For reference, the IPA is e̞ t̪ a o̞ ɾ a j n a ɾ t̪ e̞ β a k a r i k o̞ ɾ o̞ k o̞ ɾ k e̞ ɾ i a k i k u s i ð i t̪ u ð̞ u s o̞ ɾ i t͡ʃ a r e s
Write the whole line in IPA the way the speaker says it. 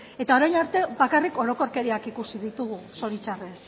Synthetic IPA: e̞ t̪ a o̞ ɾ a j n a ɾ t̪ e̞ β a k a r i k o̞ ɾ o̞ k o̞ ɾ k e̞ ɾ i a k i k u s i ð i t̪ u ɣ̞ u s o̞ ɾ i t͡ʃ a r e s